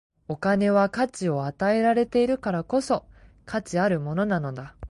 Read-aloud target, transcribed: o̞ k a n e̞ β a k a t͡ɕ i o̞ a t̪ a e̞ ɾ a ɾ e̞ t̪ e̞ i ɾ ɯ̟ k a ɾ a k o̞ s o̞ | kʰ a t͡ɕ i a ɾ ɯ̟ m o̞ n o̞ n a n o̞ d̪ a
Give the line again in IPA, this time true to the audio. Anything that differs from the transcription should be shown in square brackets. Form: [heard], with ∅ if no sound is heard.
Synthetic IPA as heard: o̞ k a n e̞ β a k a t͡ɕ i o̞ a t̪ a e̞ ɾ a ɾ e̞ t̪ e̞ i ɾ ɯ̟ k a ɾ a k o̞ s o̞ | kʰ a t͡ɕ i a ɾ ɯ̟ m o̞ n o̞ n a n o̞ d̪ a